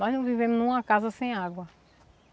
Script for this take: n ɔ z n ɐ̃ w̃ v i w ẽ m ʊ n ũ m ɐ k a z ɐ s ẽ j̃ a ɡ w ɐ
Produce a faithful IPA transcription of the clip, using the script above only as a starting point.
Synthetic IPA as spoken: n ɔ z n ɐ̃ w̃ v i v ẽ m ʊ n ũ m ɐ k a z ɐ s ẽ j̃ a ɡ w ɐ